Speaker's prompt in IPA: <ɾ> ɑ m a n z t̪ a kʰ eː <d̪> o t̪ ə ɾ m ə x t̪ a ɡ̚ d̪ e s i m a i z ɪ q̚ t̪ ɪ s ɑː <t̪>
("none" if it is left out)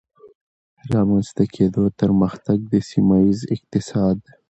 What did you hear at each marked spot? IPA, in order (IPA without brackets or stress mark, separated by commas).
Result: ɾ, d̪, d̪